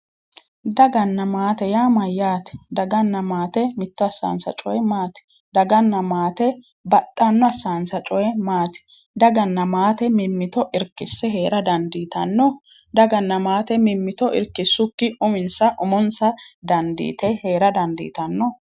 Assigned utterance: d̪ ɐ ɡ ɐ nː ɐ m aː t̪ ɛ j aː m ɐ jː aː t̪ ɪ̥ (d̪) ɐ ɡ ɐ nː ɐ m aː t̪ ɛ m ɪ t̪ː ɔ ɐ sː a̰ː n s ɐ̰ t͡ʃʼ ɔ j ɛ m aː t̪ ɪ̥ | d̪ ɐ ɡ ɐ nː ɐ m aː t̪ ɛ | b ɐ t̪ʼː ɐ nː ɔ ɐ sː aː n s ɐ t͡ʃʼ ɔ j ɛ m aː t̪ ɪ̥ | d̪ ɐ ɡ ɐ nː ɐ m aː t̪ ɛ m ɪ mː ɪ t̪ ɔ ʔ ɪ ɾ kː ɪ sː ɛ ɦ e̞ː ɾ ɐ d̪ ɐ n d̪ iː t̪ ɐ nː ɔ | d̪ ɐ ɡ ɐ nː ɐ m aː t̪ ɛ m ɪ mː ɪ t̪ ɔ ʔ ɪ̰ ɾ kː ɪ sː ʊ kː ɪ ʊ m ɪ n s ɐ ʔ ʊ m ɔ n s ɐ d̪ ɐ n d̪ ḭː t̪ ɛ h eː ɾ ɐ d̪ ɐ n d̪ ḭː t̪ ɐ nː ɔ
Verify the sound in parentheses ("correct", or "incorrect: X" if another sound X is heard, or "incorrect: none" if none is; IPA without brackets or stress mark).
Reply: correct